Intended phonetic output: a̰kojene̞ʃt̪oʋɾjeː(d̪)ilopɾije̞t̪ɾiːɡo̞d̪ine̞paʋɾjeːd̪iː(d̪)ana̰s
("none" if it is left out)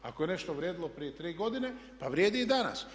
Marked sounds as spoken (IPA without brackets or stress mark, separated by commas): d̪, d̪